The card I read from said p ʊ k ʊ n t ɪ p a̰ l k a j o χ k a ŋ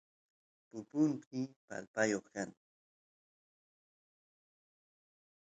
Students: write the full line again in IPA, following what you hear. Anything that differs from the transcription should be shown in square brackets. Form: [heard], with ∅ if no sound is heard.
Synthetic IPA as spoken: p ʊ [p] ʊ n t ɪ p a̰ l [p] a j o χ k a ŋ